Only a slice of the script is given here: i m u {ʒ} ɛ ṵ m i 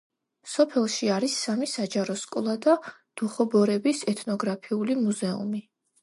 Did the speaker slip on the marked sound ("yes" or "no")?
yes